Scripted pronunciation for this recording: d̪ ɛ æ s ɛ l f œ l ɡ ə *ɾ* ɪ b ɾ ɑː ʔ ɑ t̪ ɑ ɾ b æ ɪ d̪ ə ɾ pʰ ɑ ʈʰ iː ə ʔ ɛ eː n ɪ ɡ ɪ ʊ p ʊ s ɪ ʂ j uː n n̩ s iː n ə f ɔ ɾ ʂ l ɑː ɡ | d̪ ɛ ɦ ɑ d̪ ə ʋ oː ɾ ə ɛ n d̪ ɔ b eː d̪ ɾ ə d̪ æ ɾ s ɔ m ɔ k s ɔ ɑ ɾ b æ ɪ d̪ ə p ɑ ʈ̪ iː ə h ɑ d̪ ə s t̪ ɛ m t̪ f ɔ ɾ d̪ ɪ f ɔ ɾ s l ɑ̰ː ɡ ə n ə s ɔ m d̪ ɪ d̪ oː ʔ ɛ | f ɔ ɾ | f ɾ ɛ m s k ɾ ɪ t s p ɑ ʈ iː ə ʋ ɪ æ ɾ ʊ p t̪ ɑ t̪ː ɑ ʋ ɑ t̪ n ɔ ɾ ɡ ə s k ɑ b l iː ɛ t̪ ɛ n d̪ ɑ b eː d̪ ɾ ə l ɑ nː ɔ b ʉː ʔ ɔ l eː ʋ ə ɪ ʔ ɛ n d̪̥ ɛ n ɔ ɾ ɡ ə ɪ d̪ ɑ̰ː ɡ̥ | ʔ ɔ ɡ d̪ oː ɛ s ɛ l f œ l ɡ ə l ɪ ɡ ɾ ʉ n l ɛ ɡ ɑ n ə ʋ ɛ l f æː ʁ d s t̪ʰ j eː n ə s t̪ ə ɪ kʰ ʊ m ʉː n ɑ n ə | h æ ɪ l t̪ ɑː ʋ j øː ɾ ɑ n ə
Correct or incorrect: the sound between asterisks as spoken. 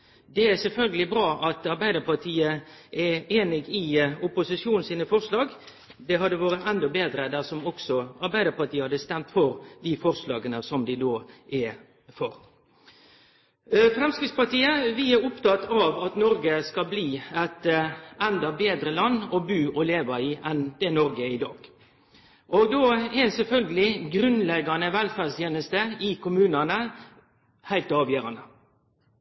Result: incorrect: l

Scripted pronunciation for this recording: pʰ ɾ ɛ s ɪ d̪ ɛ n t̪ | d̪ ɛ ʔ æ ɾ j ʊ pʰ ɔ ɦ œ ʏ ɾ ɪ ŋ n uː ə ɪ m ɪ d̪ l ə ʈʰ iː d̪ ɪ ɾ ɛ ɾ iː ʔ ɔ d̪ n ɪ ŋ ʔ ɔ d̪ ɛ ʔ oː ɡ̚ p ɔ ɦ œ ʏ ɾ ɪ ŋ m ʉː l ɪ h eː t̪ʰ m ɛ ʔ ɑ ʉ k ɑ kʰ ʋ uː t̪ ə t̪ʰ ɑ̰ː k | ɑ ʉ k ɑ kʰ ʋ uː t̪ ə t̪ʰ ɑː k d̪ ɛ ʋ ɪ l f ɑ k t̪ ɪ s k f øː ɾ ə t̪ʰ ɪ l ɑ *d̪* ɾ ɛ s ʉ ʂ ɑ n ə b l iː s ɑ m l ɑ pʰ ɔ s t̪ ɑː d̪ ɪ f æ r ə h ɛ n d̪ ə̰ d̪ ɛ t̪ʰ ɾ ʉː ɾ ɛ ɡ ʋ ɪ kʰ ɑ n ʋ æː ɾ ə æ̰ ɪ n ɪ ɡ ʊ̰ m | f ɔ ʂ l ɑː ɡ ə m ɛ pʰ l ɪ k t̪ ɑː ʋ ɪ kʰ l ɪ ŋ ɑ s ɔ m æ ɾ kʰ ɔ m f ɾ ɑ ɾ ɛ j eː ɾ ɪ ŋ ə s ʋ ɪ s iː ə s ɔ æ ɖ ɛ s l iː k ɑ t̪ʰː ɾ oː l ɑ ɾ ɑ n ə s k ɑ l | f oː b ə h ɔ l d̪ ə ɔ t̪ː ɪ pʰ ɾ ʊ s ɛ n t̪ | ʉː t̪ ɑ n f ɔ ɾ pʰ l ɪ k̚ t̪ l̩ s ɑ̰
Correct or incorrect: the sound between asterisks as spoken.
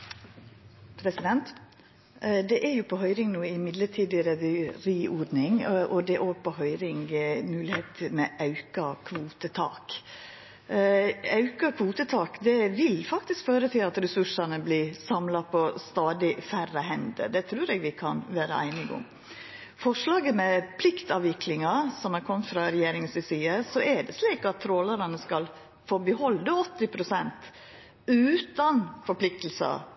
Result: incorrect: t̪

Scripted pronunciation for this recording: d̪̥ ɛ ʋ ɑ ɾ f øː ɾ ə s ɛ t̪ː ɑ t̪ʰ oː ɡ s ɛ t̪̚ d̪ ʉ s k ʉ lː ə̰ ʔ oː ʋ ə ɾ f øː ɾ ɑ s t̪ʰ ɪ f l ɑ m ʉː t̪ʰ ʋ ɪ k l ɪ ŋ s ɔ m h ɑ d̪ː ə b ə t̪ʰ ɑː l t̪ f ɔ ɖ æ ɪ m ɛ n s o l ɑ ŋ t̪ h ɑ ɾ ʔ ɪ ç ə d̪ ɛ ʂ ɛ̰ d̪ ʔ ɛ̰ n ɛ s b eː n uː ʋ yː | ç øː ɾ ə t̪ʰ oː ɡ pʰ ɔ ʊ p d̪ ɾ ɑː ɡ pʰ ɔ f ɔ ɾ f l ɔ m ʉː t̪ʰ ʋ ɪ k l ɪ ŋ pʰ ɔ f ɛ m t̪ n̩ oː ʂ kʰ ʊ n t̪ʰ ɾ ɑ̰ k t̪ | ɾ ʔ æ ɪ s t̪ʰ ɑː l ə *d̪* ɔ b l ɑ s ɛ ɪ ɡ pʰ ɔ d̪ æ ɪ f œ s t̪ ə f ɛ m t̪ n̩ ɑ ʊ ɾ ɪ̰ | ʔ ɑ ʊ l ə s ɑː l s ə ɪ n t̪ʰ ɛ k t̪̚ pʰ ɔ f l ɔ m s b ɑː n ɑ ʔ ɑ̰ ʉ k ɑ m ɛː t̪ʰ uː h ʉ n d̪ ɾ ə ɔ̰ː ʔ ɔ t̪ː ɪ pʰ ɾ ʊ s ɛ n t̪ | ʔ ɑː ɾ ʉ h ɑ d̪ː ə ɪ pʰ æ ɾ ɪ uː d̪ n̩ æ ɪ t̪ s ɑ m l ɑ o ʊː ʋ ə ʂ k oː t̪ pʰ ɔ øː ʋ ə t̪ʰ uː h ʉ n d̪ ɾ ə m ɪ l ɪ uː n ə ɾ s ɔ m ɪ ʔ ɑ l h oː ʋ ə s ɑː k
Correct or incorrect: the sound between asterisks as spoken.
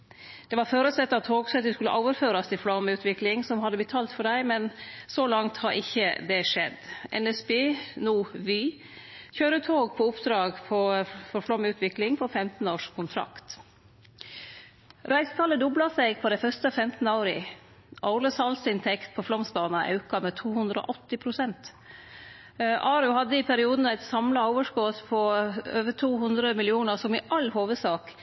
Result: correct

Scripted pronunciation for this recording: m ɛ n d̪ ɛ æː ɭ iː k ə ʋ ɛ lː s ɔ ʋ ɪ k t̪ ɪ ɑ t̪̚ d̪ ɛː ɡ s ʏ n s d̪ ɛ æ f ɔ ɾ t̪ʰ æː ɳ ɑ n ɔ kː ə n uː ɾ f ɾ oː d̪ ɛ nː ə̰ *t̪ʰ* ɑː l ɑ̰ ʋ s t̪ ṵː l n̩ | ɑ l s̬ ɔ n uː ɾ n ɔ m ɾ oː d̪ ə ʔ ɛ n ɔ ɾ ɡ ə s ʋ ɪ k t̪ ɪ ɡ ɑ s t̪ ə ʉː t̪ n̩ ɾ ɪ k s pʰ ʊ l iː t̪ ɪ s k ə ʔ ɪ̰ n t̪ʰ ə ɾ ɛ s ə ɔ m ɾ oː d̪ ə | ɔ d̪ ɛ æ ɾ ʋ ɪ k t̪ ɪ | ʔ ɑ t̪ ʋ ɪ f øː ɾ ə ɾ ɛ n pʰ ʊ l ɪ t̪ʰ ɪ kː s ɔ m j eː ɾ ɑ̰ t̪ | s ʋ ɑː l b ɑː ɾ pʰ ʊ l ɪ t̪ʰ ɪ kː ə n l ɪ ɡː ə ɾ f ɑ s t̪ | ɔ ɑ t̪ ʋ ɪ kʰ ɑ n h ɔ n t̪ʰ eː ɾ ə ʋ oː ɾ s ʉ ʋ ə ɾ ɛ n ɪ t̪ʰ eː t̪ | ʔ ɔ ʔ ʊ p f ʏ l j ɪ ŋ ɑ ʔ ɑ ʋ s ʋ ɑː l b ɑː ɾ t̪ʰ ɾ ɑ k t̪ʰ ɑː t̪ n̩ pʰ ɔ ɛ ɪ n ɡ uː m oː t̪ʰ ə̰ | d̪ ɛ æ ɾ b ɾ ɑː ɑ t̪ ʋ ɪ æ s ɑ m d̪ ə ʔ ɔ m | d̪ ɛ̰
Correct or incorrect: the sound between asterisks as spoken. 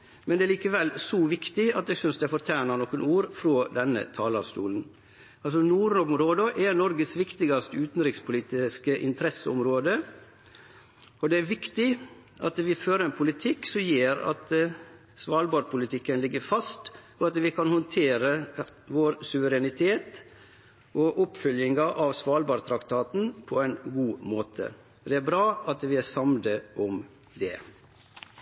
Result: correct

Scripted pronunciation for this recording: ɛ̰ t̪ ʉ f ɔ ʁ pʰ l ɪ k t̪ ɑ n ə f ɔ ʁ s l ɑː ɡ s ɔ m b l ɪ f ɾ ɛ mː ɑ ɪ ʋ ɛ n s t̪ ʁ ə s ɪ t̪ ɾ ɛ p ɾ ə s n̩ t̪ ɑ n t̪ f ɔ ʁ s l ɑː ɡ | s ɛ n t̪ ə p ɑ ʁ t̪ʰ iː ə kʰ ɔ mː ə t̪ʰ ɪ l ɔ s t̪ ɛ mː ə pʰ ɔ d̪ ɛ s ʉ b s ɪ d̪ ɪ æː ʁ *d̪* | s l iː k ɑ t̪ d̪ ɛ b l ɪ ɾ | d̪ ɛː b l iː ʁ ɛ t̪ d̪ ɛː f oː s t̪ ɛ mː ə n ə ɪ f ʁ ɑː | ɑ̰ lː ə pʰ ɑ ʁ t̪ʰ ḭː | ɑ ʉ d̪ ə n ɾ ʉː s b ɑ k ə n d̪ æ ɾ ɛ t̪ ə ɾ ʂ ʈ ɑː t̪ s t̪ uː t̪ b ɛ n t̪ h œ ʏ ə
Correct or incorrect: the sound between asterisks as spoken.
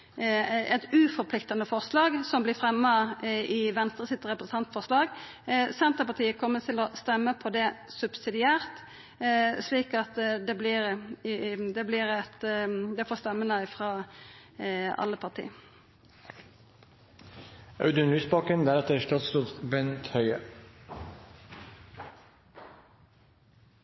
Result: incorrect: t̪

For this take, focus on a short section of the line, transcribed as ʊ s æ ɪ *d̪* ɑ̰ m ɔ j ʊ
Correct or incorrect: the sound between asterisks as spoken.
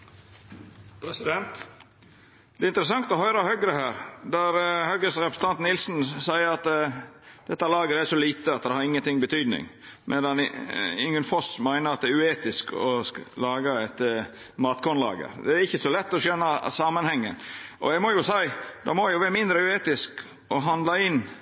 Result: correct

